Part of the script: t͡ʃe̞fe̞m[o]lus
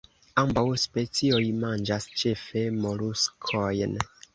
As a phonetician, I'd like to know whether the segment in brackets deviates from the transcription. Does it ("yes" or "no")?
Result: no